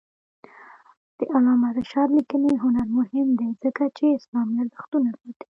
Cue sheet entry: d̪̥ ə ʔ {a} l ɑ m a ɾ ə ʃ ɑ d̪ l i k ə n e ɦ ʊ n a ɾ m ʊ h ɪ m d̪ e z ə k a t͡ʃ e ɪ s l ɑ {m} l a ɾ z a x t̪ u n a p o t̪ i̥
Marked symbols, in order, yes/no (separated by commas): yes, yes